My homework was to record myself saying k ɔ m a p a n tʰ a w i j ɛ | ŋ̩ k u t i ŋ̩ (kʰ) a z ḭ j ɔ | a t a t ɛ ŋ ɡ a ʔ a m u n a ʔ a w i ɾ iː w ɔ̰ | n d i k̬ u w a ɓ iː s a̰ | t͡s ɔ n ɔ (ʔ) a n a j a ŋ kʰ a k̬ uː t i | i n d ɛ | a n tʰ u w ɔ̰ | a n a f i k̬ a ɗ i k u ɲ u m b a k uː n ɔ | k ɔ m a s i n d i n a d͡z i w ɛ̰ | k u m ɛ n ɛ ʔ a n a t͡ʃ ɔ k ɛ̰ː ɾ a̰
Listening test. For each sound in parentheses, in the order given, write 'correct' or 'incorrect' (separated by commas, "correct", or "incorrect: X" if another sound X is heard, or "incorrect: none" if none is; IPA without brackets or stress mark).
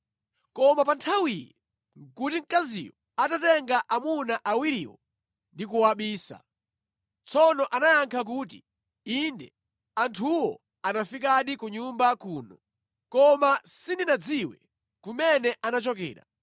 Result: incorrect: k, correct